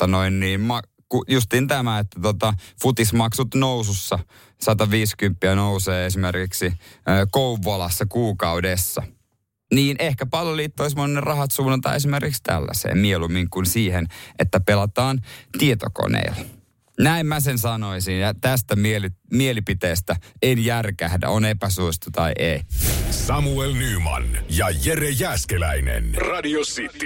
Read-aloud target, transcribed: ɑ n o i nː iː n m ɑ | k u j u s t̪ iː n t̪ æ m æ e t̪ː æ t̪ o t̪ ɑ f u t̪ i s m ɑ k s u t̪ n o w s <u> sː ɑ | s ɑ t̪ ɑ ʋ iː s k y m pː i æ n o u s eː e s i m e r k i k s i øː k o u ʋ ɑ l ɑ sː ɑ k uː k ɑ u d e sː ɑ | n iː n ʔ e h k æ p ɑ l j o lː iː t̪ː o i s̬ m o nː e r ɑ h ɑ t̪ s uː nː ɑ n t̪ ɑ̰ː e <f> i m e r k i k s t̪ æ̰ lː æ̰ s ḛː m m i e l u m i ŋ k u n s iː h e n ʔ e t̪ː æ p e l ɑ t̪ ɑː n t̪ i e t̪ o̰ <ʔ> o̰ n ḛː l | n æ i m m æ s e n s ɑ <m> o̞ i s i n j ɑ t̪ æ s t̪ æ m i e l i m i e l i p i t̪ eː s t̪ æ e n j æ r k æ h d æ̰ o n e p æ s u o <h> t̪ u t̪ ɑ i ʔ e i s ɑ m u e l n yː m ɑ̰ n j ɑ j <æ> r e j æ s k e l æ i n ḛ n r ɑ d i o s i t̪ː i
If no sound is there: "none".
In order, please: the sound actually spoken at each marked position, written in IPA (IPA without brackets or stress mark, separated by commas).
u, s, k, n, s, e